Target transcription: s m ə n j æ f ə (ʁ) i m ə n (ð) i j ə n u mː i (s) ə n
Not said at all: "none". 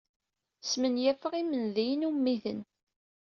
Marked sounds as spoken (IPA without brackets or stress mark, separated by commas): ʁ, ð, θ